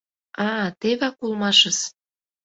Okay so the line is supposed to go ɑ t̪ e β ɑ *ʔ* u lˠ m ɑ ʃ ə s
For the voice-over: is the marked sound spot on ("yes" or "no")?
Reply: no